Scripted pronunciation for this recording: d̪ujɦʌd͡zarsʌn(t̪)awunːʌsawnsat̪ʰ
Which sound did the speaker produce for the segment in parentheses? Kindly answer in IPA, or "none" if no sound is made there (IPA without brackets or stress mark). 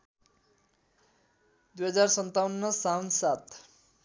t̪